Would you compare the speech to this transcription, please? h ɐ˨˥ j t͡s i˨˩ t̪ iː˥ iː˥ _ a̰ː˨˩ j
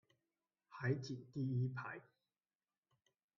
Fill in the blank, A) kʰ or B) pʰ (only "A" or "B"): B